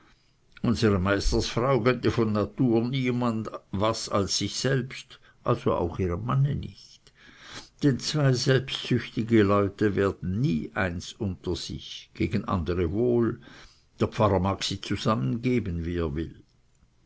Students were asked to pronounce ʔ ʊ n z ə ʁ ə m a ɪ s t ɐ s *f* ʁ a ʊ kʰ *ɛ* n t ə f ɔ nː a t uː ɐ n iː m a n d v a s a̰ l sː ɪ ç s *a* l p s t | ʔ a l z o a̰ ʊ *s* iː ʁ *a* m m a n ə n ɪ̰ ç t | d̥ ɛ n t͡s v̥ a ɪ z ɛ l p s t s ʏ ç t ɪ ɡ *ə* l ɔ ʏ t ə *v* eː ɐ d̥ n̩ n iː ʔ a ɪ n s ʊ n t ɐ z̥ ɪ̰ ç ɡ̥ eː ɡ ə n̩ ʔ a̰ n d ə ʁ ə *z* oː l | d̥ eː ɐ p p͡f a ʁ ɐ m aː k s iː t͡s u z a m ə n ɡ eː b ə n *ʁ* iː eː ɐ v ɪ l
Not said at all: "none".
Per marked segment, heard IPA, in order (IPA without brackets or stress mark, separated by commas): f, œ, ɛ, x, ə, ə, v, v, v